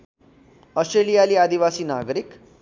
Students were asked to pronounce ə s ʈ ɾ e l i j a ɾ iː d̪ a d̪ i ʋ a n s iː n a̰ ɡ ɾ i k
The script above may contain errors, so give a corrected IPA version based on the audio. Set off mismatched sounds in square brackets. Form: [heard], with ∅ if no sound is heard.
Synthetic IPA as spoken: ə s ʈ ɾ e l i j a [l] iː [∅] a d̪ i ʋ a [∅] s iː n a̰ ɡ ɾ i k